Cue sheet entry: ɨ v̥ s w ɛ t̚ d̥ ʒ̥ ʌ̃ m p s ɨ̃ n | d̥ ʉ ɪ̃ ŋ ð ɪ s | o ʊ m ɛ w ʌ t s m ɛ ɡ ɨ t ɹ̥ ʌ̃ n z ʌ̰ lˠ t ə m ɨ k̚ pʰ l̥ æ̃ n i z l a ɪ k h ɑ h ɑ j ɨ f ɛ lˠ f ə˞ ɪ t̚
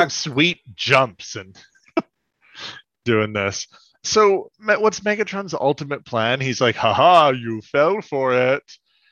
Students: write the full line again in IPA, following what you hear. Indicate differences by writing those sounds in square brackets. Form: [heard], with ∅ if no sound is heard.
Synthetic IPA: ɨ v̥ s w [i] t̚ d̥ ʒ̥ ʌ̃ m p s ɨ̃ n | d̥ ʉ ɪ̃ ŋ ð ɪ s | o ʊ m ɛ w ʌ t s m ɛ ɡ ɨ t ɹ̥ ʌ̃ n z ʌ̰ lˠ t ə m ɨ [t̚] pʰ l̥ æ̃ n i z l a ɪ k h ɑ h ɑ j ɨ f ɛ lˠ f ə˞ ɪ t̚